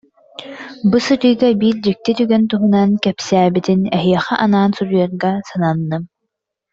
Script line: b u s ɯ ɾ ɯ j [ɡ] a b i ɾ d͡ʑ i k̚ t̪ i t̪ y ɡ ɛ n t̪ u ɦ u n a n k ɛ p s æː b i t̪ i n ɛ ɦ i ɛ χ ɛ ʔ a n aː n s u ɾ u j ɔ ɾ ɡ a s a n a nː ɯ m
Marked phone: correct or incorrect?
correct